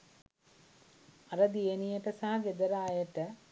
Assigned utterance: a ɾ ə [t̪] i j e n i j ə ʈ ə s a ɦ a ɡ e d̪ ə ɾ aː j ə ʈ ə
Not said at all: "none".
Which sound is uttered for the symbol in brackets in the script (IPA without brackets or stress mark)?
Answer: d̪